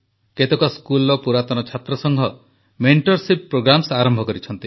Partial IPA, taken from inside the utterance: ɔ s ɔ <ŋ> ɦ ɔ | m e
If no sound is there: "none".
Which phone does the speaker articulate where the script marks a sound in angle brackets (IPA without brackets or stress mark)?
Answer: ŋ